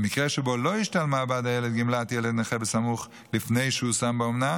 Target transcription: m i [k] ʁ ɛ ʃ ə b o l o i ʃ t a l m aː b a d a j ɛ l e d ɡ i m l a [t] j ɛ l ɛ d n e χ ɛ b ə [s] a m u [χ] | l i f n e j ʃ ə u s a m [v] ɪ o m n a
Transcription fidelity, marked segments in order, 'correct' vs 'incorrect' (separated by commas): correct, correct, correct, correct, incorrect